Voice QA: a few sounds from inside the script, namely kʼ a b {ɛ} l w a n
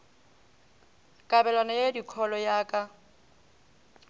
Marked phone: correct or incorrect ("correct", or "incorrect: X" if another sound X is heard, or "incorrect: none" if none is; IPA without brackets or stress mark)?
correct